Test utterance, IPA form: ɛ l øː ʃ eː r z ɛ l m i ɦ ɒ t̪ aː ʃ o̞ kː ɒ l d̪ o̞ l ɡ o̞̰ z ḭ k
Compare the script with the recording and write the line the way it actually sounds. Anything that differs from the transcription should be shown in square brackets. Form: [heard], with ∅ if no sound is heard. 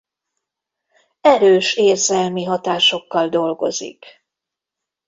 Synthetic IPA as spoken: ɛ [ɾ] øː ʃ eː r z ɛ l m i ɦ ɒ t̪ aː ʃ o̞ kː ɒ l d̪ o̞ l ɡ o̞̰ z ḭ k